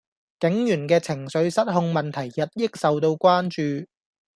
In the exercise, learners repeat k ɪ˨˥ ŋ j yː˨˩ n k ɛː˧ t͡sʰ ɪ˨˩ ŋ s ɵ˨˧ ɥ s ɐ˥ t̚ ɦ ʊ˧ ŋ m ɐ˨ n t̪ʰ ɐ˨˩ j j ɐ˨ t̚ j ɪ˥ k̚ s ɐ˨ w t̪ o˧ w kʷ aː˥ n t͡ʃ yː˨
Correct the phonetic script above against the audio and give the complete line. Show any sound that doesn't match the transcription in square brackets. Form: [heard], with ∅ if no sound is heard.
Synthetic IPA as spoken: k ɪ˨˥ ŋ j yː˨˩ n k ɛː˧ t͡sʰ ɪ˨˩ ŋ s ɵ˨˧ ɥ s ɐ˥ t̚ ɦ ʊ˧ ŋ m ɐ˨ n t̪ʰ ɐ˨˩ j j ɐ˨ t̚ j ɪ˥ k̚ s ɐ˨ w t̪ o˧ w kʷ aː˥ n t͡ʃ yː˨